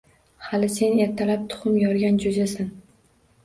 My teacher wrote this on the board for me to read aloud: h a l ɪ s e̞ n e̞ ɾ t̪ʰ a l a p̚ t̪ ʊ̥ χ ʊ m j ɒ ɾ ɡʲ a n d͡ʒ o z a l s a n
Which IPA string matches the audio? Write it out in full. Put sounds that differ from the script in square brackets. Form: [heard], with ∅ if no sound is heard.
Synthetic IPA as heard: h a l ɪ s e̞ n e̞ ɾ t̪ʰ a l a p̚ [t̪ʰ] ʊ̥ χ ʊ m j ɒ ɾ ɡʲ a n d͡ʒ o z a [∅] s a n